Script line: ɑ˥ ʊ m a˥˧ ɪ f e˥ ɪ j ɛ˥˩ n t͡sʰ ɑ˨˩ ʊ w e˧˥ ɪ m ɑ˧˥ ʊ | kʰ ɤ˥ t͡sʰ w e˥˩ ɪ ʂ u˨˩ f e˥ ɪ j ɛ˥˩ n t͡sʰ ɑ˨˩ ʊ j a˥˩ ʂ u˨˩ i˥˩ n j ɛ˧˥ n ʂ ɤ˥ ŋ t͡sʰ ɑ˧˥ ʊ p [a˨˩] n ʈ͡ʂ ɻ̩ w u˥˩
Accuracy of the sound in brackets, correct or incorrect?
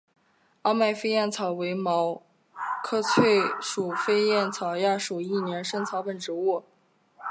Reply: incorrect